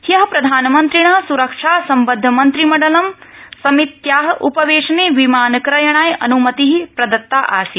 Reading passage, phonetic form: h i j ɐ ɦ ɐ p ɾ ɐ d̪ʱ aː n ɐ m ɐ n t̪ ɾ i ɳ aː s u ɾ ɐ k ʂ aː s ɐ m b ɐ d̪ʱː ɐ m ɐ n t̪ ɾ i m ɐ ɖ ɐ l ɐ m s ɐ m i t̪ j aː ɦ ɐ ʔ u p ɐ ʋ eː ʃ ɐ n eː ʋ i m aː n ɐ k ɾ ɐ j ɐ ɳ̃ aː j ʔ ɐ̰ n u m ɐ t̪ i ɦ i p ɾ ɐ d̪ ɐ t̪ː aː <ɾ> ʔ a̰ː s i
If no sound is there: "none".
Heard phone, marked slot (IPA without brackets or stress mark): none